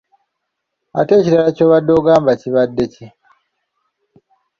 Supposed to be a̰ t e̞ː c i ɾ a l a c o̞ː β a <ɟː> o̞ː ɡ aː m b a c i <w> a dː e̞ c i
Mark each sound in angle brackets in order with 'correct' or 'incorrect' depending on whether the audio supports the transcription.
incorrect: dː, incorrect: β

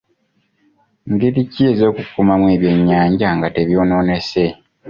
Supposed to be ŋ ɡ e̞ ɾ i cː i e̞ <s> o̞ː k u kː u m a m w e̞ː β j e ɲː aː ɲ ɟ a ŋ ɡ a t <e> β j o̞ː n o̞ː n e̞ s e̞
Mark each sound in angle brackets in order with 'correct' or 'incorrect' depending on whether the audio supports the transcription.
incorrect: z, correct

